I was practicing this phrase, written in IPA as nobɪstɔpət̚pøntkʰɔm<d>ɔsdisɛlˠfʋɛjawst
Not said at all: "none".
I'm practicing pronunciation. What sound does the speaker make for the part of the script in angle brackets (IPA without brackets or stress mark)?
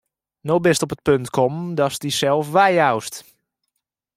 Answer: d